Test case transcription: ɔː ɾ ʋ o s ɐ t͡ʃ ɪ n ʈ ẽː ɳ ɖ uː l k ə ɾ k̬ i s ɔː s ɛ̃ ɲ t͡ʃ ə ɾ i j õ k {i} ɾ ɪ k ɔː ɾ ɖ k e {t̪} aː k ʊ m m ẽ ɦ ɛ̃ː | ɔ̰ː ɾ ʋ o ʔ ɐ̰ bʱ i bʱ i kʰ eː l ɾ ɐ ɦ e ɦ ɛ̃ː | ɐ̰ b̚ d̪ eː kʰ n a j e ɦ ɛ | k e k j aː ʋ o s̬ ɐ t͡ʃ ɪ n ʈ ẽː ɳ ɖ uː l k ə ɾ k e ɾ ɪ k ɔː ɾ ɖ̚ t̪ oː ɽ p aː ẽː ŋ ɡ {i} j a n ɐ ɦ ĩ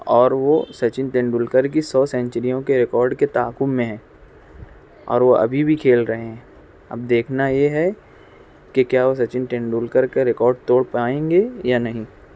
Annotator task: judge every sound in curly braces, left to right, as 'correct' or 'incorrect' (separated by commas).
incorrect, correct, incorrect